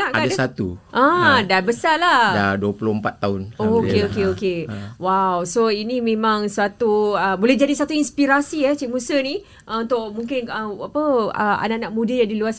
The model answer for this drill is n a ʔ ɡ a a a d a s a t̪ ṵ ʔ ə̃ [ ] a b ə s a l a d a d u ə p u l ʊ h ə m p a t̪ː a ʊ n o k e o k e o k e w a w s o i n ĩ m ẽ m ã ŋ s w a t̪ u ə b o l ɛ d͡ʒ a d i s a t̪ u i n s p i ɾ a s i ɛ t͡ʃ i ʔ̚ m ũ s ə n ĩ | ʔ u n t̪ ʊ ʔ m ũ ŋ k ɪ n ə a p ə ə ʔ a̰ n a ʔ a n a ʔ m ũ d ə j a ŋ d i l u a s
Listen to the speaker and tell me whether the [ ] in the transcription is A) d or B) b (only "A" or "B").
A